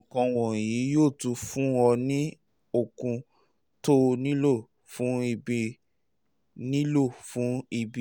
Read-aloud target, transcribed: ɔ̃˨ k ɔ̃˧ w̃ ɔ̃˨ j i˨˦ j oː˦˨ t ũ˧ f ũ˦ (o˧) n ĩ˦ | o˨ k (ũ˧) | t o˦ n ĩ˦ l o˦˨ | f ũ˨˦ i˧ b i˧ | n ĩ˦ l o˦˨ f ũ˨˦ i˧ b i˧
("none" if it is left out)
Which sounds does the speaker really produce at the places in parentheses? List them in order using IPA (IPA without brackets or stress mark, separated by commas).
ɔ˧, ũ˧